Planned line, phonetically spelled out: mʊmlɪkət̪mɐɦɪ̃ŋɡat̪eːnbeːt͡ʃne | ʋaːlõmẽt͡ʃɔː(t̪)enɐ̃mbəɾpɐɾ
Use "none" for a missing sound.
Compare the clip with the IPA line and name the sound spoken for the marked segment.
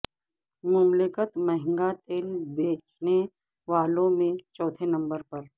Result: t̪ʰ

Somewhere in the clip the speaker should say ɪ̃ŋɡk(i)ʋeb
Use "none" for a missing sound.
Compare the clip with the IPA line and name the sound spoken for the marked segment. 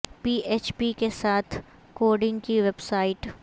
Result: i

